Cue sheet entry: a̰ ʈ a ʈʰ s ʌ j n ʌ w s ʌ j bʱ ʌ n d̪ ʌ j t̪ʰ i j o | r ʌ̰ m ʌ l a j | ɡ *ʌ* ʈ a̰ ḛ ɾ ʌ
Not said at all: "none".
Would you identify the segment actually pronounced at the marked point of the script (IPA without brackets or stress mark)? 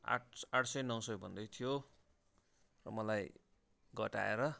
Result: ʌ